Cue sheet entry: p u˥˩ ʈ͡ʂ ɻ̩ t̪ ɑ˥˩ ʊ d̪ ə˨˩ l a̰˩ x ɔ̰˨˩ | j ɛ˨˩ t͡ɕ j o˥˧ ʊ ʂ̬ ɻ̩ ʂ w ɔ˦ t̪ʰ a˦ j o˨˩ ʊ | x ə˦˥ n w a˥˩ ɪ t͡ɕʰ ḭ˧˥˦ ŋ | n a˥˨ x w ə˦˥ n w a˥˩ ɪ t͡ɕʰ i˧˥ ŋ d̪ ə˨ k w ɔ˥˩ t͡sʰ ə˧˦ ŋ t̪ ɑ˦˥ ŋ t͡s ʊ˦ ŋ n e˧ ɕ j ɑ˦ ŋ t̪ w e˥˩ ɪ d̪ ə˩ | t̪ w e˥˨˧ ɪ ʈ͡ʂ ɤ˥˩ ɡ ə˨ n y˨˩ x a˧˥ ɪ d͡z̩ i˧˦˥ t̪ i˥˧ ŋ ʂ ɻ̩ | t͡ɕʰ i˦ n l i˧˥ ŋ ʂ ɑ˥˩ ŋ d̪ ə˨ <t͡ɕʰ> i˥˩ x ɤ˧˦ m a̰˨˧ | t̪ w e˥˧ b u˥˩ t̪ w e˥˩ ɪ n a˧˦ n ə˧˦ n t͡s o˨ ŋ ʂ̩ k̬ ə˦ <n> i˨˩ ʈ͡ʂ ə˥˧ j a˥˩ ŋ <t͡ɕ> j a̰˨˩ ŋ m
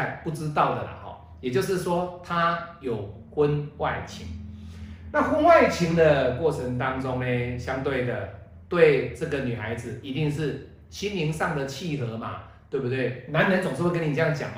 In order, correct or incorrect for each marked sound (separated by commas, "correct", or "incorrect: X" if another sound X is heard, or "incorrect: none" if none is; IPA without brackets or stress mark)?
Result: correct, correct, correct